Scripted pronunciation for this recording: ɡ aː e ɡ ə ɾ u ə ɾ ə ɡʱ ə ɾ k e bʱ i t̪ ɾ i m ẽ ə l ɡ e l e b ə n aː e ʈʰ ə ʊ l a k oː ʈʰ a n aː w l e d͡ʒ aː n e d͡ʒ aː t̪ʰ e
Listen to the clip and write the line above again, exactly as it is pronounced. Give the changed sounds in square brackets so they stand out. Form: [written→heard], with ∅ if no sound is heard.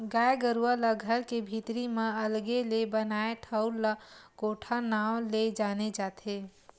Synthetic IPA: ɡ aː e ɡ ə ɾ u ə [ɾ→l] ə ɡʱ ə ɾ k e bʱ i t̪ ɾ i m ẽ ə l ɡ e l e b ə n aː e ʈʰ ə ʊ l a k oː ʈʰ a n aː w l e d͡ʒ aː n e d͡ʒ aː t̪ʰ e